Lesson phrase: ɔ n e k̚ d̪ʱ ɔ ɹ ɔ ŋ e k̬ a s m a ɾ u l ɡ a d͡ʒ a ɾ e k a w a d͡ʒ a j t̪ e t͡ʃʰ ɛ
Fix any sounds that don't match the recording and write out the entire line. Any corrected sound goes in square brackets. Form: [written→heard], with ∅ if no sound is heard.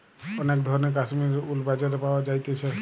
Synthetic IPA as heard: ɔ n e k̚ d̪ʱ ɔ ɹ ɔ [ŋ→n] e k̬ a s m [a→i] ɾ u l [ɡ→b] a d͡ʒ a ɾ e [k→p] a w a d͡ʒ a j t̪ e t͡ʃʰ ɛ